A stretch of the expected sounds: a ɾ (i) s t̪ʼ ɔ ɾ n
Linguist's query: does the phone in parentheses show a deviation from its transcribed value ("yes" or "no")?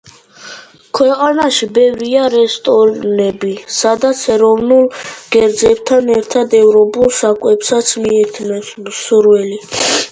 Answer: yes